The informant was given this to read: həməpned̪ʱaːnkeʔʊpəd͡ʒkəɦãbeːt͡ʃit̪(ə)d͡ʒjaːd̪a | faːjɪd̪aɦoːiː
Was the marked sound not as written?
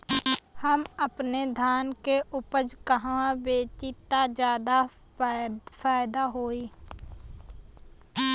yes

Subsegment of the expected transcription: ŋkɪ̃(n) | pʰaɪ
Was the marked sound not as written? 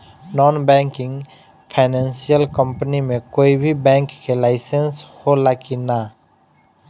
yes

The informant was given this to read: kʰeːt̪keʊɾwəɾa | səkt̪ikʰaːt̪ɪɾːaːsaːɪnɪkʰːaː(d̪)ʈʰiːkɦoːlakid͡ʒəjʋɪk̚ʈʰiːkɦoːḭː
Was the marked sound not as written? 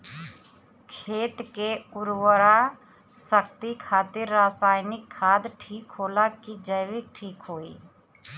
no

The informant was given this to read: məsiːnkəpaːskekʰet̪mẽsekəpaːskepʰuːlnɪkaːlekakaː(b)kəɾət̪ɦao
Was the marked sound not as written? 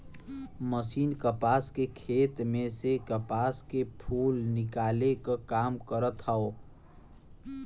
yes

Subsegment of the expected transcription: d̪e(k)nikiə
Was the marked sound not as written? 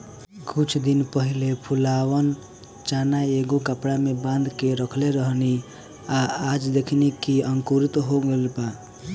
yes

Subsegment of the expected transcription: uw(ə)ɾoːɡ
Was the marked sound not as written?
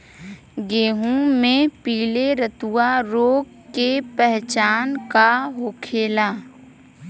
yes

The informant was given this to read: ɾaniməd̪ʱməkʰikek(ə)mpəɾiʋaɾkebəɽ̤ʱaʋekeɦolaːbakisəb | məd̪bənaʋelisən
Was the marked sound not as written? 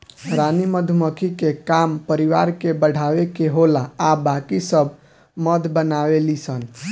yes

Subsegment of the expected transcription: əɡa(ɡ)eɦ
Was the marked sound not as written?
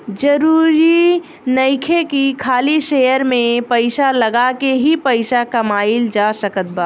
yes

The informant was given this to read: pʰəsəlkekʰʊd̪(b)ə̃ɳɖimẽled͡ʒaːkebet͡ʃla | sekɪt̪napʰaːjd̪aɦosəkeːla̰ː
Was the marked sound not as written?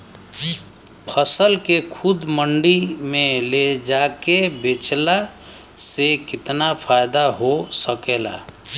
yes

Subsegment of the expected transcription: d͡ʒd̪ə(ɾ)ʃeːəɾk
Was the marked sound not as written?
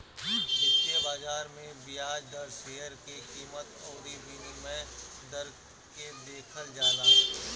no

